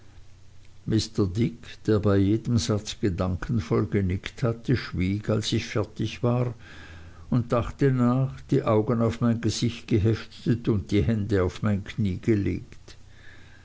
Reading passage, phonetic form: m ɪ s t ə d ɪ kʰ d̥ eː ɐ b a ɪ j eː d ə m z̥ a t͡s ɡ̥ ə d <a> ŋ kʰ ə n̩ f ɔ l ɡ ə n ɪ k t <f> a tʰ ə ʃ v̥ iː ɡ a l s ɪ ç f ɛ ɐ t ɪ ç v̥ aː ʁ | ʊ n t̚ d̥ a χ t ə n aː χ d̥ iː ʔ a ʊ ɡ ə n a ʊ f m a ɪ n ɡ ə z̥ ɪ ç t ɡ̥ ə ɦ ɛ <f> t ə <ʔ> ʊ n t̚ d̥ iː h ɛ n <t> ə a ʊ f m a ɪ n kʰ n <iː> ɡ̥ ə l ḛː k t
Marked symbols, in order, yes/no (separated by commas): yes, no, yes, no, no, yes